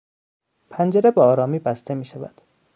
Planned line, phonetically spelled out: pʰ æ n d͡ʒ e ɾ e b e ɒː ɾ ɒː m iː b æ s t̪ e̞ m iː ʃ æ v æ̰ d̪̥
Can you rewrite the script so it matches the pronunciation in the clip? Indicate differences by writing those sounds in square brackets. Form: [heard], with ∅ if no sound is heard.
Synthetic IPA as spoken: pʰ æ n d͡ʒ e ɾ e b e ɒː ɾ ɒː m iː b æ s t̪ e̞ m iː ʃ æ v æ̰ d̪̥